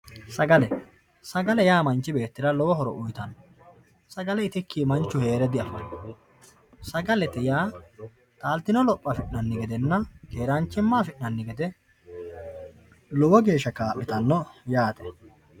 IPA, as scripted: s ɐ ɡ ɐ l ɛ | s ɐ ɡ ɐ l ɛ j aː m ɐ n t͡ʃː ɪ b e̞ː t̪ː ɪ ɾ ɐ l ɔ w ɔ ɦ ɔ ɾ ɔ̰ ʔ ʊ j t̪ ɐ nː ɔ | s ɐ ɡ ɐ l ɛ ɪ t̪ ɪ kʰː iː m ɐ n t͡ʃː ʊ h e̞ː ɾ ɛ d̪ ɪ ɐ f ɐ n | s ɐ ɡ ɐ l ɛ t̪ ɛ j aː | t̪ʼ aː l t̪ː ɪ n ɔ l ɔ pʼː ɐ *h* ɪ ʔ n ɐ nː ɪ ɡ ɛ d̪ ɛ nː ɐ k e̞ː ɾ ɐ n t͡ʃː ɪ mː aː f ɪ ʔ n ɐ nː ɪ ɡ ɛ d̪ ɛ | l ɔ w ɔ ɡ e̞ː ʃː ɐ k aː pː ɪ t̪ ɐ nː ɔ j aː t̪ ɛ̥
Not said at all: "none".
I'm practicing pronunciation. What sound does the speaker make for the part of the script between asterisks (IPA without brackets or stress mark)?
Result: f